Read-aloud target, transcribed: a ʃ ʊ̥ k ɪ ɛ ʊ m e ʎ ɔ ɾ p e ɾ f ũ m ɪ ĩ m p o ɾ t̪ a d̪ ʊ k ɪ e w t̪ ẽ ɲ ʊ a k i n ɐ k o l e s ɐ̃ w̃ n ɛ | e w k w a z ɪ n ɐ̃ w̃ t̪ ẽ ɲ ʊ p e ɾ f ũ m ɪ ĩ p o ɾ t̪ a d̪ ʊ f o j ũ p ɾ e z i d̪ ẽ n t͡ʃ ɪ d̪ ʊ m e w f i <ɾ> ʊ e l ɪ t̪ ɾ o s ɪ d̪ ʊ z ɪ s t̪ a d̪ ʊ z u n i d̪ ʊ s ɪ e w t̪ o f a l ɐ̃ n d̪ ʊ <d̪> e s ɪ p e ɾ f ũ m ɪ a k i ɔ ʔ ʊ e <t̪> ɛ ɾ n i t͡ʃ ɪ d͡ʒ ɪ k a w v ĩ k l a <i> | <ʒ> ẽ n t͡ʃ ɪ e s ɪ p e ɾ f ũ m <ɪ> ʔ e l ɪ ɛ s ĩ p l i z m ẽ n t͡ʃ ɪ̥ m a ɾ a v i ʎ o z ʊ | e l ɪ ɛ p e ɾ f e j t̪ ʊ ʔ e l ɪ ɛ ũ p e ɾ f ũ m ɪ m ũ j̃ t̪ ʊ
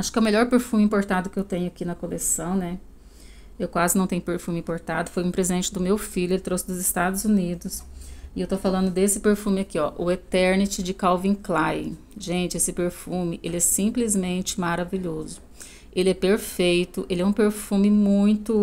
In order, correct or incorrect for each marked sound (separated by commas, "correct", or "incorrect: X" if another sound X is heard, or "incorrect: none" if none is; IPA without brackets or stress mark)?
incorrect: ʎ, correct, correct, incorrect: j, correct, correct